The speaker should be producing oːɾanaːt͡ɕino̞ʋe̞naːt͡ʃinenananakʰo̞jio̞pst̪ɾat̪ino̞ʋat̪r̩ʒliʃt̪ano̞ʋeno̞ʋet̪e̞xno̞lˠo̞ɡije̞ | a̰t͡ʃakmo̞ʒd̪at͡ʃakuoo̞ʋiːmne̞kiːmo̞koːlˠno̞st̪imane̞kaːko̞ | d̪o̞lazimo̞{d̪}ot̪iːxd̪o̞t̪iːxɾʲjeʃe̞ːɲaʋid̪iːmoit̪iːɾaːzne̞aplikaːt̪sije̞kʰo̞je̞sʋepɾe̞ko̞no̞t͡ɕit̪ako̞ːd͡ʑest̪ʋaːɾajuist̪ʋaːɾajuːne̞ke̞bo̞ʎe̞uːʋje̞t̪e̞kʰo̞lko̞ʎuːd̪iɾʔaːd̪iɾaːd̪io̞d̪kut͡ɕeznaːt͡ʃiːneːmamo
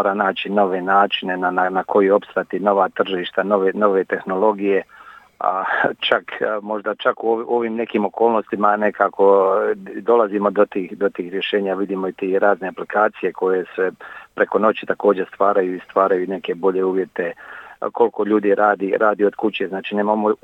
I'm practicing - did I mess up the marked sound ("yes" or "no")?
no